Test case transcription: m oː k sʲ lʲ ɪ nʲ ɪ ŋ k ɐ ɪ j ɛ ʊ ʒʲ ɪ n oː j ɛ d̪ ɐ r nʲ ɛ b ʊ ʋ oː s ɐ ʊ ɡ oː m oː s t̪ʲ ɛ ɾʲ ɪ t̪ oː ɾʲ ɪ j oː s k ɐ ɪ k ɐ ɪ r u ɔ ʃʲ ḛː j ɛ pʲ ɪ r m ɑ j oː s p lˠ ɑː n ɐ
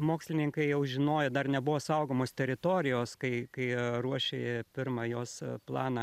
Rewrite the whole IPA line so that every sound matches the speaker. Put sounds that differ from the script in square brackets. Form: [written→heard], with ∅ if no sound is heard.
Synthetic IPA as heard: m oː k sʲ lʲ ɪ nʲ ɪ ŋ k ɐ ɪ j ɛ ʊ ʒʲ ɪ n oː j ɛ d̪ ɐ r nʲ ɛ b ʊ ʋ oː s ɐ ʊ ɡ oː m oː s t̪ʲ ɛ ɾʲ ɪ t̪ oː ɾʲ ɪ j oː s k ɐ ɪ k ɐ ɪ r u ɔ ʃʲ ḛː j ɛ pʲ ɪ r m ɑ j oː s p lˠ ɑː n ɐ